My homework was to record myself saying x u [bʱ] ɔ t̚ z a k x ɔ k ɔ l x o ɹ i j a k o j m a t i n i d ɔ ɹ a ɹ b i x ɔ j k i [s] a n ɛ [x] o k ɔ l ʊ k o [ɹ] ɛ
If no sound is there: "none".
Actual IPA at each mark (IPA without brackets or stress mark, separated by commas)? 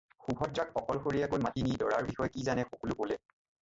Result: bʱ, z, x, l